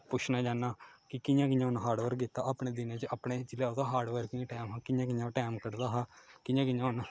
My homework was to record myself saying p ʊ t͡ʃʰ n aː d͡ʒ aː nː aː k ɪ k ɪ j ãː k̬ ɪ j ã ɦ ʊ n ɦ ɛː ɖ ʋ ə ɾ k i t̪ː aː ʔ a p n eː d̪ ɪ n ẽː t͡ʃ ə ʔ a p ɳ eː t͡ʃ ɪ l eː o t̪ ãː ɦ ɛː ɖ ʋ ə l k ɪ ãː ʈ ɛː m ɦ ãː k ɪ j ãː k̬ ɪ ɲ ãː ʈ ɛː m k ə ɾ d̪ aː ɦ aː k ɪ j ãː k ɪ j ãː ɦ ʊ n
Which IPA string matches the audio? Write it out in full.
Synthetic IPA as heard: p ʊ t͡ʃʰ n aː d͡ʒ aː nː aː k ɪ k ɪ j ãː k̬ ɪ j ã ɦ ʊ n ɦ aː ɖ ʋ ə ɾ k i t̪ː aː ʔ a p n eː d̪ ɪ n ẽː t͡ʃ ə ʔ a p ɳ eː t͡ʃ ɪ l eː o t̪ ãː ɦ aː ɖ ʋ ə ɾ k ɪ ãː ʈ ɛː m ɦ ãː k ɪ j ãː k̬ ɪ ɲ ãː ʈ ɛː m k ə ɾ d̪ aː ɦ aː k ɪ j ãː k ɪ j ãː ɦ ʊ n